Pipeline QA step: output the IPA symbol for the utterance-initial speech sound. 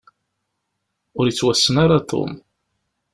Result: ʊ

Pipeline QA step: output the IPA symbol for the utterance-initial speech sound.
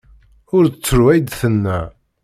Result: ʊ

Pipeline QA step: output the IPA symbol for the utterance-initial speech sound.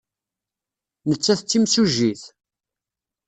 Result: n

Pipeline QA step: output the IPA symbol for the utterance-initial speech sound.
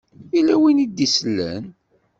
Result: i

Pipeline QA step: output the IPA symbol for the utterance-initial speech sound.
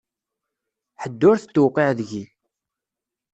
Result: ħ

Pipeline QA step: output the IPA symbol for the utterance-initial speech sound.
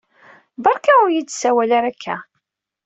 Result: b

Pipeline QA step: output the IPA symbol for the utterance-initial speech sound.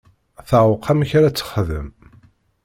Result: θ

